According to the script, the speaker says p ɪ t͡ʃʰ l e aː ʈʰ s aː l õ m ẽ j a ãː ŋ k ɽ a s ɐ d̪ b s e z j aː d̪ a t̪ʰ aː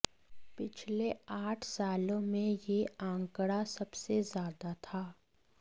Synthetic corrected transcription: p ɪ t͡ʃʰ l e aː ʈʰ s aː l õ m ẽ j e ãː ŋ k ɽ a s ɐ b s e z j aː d̪ a t̪ʰ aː